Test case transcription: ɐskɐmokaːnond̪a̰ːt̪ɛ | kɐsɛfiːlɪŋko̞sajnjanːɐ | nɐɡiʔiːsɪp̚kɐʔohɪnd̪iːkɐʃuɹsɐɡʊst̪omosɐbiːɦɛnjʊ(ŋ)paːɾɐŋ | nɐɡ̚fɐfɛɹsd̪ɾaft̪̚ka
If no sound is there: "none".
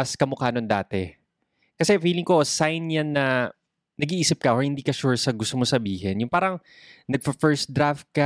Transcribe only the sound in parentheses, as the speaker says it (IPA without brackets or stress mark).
ŋ